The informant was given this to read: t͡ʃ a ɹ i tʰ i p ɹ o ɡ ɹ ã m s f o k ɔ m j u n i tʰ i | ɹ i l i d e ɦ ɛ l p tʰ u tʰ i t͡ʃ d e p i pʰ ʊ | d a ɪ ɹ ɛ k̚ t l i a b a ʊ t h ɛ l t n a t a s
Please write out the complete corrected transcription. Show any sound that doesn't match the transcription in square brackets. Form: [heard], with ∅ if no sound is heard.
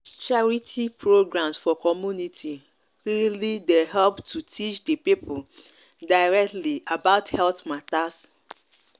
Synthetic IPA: t͡ʃ a ɹ i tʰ i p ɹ o ɡ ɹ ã m s f [ɔ] k ɔ m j u n i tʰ i | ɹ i l i d e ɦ ɛ l p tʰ u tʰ i t͡ʃ d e p i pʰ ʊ | d a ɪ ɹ ɛ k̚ t l i a b a ʊ t h ɛ l t [m] a t a s